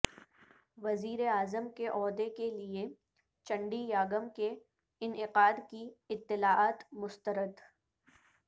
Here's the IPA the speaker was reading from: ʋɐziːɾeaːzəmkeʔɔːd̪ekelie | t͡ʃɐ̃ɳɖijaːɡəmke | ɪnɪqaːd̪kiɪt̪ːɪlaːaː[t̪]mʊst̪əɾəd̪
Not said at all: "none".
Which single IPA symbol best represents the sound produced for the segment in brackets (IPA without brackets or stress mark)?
t̪